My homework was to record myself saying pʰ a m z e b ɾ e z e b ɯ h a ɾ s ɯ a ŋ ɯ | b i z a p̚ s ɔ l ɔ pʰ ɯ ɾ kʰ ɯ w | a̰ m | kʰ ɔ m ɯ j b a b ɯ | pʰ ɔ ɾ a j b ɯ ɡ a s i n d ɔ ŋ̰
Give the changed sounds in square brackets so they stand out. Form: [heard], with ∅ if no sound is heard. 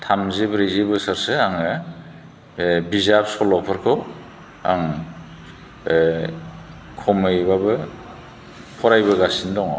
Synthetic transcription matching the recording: [tʰ] a m z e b ɾ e z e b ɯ [s] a ɾ s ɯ a ŋ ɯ | b i z a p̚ s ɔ l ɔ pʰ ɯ ɾ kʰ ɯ w | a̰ [ŋ] | kʰ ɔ m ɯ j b a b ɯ | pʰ ɔ ɾ a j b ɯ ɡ a s i n d ɔ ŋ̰